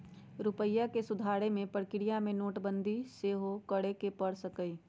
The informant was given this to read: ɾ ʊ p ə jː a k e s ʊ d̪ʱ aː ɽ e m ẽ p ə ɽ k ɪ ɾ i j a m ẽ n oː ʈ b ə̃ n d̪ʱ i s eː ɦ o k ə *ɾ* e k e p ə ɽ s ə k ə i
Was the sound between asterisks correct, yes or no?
no